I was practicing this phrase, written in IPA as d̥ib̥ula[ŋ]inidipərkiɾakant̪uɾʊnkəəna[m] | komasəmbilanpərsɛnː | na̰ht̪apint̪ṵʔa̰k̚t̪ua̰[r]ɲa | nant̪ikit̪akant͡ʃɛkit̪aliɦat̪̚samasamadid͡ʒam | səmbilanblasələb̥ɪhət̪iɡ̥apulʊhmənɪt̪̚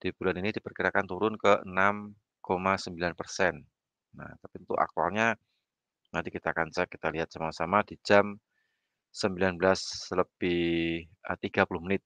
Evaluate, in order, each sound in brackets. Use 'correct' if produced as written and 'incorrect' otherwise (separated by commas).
incorrect, correct, incorrect